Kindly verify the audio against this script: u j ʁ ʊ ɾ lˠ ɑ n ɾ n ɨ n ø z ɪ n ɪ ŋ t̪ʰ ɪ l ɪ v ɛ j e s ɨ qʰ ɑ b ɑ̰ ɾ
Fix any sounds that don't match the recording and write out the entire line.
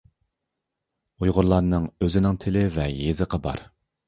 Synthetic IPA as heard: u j ʁ ʊ ɾ lˠ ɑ ɾ n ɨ ŋ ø z ɪ n ɪ ŋ t̪ʰ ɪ l ɪ v ɛ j e z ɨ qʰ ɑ b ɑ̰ ɾ